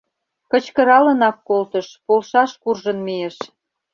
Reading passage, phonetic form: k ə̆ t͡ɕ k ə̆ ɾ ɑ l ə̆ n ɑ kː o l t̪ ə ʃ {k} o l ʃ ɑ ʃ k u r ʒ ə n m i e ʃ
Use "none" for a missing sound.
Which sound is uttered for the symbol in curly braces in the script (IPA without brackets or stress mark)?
p